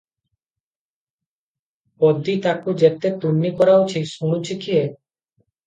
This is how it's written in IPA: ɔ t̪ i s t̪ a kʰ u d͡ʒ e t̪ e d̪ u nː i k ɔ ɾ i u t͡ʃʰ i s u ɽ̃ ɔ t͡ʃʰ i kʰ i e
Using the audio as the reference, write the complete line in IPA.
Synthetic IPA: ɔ d̪ i t̪ a k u d͡ʒ e t̪ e t̪ u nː i k ɔ ɾ a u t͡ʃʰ i s u ɽ̃ u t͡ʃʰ i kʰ i e